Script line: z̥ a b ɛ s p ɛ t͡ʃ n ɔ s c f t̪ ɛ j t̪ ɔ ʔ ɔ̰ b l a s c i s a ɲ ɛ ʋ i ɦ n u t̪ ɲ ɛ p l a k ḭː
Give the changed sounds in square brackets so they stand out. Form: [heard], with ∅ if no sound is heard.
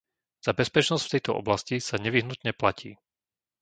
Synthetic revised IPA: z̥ a b ɛ s p ɛ t͡ʃ n ɔ s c f t̪ ɛ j t̪ ɔ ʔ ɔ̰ b l a s c i s a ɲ ɛ ʋ i ɦ n u t̪ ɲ ɛ p l a [c] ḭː